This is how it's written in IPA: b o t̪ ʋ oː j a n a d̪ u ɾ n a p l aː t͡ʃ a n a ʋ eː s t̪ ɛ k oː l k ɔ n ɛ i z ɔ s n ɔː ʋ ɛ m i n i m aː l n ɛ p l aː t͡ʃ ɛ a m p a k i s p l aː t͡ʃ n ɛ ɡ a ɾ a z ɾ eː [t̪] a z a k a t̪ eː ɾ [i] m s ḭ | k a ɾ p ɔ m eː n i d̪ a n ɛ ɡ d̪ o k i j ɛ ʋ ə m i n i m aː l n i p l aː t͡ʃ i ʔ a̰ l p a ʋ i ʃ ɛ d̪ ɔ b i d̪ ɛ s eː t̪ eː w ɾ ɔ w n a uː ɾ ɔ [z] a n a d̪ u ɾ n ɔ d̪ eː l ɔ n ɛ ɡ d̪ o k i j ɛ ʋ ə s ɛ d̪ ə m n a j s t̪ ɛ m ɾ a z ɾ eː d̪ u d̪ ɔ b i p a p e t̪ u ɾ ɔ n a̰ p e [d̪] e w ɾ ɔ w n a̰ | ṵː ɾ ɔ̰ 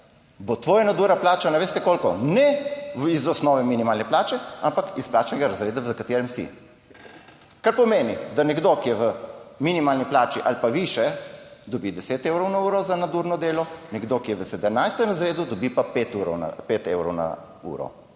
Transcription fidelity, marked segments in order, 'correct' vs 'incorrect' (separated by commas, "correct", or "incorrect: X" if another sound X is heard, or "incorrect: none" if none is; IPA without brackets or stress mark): incorrect: d̪, incorrect: ɛ, correct, incorrect: t̪